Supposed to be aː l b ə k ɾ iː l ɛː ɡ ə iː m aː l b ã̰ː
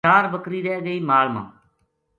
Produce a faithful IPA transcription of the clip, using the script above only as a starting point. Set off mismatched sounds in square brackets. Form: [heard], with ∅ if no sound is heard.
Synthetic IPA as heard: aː [ɾ] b ə k ɾ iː [ɾ] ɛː ɡ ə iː m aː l [m] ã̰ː

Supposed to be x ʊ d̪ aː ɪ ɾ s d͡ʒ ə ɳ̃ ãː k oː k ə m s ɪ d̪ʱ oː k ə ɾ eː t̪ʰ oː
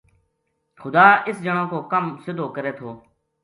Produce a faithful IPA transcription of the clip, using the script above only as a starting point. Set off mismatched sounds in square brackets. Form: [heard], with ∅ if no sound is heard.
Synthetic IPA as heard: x ʊ d̪ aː ɪ [∅] s d͡ʒ ə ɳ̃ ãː k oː k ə m s ɪ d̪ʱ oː k ə ɾ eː t̪ʰ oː

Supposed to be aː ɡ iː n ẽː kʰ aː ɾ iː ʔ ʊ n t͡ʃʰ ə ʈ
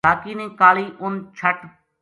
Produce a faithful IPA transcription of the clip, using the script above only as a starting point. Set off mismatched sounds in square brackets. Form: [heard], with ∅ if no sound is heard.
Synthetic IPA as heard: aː [k] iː n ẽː [k] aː [l] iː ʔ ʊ n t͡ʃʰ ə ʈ

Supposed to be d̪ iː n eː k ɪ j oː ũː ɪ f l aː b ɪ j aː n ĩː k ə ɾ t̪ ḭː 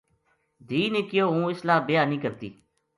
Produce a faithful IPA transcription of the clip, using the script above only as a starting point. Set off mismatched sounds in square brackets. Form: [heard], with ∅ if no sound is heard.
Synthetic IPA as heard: d̪ iː n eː k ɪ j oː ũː ɪ [s] l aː b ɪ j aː n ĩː k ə ɾ t̪ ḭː

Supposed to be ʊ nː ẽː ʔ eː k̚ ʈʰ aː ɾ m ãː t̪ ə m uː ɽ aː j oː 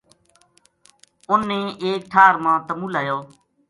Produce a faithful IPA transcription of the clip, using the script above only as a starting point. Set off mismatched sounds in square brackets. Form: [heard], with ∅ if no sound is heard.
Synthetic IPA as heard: ʊ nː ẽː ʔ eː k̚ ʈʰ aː ɾ m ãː t̪ ə m uː [l] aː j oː

